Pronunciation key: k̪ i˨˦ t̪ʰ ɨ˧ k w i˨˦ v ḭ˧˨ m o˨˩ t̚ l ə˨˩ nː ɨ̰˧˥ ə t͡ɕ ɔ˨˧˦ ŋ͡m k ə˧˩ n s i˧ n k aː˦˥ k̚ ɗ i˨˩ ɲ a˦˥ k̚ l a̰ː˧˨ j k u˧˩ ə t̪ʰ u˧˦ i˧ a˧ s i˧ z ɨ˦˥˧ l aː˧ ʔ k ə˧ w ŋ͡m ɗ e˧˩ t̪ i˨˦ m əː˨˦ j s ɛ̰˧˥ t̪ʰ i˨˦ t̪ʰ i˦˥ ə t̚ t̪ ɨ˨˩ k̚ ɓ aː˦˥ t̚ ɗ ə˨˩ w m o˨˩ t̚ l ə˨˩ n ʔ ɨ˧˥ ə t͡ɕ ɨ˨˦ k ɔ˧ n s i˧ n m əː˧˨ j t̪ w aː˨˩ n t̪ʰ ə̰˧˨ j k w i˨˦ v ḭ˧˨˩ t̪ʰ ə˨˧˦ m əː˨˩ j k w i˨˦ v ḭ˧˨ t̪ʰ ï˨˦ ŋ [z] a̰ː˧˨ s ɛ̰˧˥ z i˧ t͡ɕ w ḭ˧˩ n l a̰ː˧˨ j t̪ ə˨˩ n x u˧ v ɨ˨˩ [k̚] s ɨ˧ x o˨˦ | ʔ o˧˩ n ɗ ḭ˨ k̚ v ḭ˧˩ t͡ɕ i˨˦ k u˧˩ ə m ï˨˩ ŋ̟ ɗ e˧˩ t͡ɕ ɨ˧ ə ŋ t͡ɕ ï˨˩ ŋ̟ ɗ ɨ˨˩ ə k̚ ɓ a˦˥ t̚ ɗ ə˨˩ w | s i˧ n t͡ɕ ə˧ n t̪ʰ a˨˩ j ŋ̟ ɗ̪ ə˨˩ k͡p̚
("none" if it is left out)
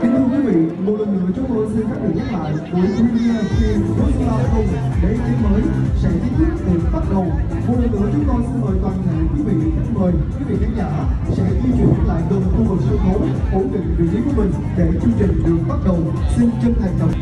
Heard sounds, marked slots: z, k̚

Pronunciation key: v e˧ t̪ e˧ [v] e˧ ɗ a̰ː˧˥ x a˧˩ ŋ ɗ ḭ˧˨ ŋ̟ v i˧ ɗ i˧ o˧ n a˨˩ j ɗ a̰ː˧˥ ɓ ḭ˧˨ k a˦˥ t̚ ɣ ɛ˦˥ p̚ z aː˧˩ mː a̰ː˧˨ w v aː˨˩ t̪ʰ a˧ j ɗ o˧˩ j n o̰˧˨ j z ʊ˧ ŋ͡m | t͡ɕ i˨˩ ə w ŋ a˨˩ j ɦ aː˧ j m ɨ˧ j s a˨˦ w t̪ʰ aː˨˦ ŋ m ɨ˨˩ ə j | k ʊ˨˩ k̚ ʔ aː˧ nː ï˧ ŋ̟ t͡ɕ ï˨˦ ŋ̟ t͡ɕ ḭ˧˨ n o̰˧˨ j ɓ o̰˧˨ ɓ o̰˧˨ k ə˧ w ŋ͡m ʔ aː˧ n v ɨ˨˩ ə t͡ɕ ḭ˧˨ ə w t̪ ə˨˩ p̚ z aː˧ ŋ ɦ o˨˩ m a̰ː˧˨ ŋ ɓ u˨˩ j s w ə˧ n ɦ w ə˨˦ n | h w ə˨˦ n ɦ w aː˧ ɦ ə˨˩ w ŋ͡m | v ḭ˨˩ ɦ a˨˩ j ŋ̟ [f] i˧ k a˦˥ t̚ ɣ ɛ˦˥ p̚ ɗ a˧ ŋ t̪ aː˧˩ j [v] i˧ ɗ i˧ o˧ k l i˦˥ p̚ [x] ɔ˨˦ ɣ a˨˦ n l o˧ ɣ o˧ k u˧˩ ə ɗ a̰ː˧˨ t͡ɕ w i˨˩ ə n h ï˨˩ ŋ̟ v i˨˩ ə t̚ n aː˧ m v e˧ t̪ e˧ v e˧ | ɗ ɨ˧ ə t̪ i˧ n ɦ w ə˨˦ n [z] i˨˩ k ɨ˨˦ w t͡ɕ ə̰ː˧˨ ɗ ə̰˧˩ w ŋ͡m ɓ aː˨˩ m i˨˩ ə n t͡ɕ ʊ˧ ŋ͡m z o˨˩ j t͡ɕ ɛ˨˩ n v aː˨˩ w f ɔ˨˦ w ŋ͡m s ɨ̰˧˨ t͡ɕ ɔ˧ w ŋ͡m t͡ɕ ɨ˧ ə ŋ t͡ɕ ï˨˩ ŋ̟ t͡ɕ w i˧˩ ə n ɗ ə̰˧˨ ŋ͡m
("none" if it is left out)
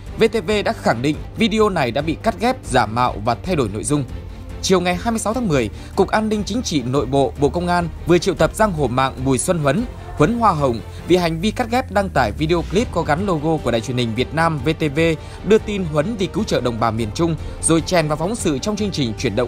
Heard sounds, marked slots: v, v, v, k, v

